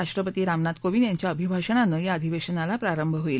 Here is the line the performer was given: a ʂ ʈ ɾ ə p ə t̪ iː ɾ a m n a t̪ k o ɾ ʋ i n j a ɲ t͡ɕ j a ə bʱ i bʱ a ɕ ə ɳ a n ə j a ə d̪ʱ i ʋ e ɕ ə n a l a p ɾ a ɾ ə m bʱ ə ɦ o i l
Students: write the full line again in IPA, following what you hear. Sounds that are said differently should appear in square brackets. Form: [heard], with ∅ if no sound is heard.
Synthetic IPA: a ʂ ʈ ɾ ə p ə t̪ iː ɾ a m n a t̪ k o [∅] ʋ i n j a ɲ t͡ɕ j a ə bʱ i bʱ a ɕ ə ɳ a n ə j a ə d̪ʱ i ʋ e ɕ ə n a l a p ɾ a ɾ ə m bʱ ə ɦ o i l